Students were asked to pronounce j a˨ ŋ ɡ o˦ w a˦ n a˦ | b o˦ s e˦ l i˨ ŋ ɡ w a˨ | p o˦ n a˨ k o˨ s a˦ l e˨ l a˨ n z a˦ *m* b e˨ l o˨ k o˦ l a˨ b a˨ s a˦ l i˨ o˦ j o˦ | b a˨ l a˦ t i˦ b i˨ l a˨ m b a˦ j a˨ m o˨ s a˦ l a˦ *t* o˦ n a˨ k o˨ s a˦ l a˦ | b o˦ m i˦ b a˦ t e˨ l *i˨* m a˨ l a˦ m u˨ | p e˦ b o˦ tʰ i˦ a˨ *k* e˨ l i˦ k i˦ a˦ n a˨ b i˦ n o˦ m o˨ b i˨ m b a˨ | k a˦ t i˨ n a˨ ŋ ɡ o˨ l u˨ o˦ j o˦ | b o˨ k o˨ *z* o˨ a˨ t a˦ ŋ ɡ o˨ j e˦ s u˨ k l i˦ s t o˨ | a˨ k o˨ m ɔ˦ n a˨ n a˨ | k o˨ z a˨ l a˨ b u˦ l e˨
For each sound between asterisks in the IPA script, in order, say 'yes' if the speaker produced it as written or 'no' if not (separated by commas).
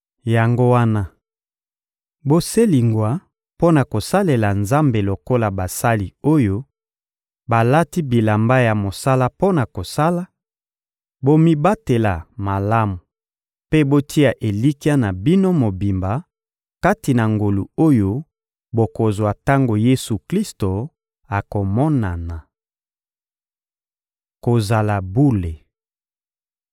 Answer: yes, no, no, no, yes